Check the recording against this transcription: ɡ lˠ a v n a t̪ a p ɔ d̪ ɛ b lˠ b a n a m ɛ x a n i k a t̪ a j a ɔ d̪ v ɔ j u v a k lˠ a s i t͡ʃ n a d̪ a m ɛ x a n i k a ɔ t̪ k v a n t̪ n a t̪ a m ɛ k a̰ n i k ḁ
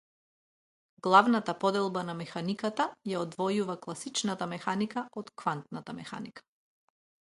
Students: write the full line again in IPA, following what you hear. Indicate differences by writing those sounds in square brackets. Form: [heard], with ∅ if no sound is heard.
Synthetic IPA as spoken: ɡ lˠ a v n a t̪ a p ɔ d̪ ɛ [∅] lˠ b a n a m ɛ x a n i k a t̪ a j a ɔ d̪ v ɔ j u v a k lˠ a s i t͡ʃ n a [t̪] a m ɛ x a n i k a ɔ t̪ k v a n t̪ n a t̪ a m ɛ [x] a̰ n i k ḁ